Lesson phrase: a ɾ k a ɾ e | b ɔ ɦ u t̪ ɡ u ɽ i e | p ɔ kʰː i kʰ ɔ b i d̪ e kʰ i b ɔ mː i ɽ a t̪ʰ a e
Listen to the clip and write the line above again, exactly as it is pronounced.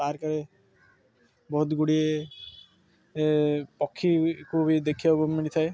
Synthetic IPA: a ɾ k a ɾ e | b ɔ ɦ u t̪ ɡ u ɽ i e | p ɔ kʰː i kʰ u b i d̪ e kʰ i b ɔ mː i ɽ i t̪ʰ a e